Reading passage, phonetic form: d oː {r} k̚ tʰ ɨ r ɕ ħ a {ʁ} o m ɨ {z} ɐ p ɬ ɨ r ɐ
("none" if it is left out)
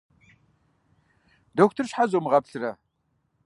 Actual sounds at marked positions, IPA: none, z, ʁ

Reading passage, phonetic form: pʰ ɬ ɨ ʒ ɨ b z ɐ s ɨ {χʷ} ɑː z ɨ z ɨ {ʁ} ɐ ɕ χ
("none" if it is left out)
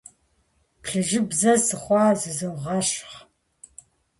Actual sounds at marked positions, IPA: χʷ, ʁ

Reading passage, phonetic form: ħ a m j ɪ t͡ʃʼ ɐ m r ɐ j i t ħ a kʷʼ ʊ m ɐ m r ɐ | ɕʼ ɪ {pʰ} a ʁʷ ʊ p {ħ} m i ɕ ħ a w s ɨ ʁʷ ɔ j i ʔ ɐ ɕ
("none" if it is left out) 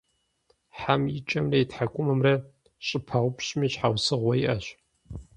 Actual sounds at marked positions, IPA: pʰ, ɕ

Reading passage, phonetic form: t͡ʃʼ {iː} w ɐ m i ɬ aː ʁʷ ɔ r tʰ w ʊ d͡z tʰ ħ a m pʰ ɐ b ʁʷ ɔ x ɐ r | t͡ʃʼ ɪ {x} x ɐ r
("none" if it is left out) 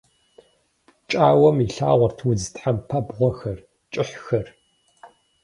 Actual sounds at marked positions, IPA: aː, ħ

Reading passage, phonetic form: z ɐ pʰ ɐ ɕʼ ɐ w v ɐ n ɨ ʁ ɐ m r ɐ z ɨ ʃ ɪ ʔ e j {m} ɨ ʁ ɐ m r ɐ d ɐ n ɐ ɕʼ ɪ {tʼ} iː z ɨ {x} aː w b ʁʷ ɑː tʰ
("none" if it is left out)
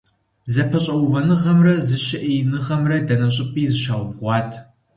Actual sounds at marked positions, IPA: n, pʼ, ʃ

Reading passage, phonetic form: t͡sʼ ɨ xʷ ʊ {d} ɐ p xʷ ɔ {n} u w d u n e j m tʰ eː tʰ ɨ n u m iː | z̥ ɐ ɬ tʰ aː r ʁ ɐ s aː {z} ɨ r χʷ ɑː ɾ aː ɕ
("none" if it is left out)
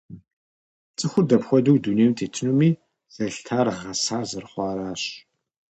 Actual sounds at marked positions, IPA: d, d, z

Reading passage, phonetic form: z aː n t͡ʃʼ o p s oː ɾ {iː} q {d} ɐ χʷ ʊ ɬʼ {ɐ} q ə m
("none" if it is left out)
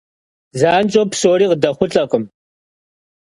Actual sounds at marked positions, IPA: iː, d, ɐ

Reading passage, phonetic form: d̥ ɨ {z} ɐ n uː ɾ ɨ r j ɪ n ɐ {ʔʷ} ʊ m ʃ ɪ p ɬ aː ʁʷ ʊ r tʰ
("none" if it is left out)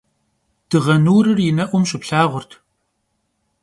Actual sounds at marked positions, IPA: ʁ, ʔʷ

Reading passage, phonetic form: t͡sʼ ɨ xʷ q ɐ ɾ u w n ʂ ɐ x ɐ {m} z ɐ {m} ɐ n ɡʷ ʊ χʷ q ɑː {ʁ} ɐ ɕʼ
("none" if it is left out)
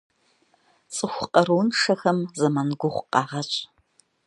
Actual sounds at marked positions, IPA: m, m, ʁ

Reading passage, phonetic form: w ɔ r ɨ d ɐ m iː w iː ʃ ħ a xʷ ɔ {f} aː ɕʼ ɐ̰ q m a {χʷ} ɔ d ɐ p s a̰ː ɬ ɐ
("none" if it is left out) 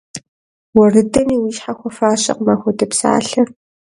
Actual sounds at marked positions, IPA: f, xʷ

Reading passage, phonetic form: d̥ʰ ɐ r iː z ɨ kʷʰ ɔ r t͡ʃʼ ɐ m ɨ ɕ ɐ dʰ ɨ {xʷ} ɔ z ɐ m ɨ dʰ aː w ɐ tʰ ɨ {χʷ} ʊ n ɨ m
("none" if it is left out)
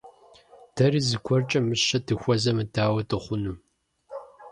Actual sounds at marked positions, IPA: xʷ, χʷ

